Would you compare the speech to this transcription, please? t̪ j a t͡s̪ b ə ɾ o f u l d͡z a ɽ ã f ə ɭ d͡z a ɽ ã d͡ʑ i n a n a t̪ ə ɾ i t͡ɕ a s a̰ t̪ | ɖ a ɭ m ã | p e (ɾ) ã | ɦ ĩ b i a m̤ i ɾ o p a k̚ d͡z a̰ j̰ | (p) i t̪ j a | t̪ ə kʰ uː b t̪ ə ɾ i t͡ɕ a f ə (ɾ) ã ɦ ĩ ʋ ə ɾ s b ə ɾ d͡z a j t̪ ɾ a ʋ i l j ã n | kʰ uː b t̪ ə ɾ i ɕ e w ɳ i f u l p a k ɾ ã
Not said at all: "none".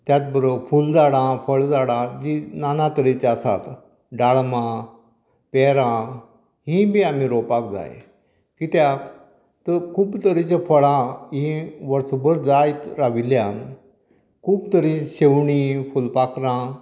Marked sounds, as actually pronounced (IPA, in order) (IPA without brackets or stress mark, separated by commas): ɾ, k, ɭ